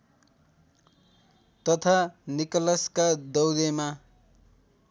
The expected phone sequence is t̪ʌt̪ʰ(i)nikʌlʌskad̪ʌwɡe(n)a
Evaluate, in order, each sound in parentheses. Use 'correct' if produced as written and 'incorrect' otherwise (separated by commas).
incorrect, incorrect